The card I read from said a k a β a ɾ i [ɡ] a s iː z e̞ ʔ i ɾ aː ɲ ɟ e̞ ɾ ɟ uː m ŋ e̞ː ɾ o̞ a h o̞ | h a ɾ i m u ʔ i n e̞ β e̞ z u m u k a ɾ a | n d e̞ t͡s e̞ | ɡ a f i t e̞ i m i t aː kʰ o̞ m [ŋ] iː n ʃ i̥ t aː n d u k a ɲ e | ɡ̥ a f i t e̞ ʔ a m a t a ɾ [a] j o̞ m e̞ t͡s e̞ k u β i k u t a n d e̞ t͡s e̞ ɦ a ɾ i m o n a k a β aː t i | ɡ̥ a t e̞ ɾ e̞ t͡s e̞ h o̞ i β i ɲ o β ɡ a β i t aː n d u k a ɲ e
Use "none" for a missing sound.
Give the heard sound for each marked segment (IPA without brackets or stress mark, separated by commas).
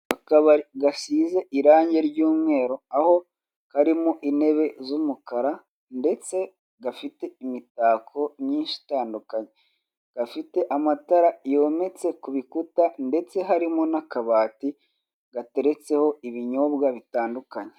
ɡ, ɲ, a